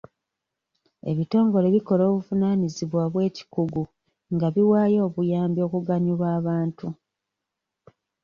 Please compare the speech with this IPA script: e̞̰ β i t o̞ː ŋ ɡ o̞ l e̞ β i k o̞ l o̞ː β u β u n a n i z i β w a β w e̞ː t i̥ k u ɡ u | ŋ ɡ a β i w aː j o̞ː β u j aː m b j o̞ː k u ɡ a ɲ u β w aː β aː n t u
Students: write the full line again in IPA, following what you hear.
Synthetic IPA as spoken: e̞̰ β i t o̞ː ŋ ɡ o̞ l e̞ β i k o̞ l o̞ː β u v u n a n i z i β w a β w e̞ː c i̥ k u ɡ u | ŋ ɡ a β i w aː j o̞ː β u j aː m b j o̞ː k u ɡ a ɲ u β w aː β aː n t u